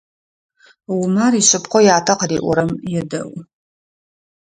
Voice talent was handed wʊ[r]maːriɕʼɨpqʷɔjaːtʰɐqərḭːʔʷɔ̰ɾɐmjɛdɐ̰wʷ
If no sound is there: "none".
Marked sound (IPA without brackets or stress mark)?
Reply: none